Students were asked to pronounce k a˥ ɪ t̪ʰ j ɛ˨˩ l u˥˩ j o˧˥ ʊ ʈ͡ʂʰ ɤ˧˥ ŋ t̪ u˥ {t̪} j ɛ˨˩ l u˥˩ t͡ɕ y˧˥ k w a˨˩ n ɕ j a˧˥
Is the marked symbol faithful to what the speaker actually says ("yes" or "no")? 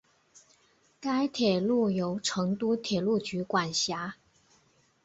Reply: no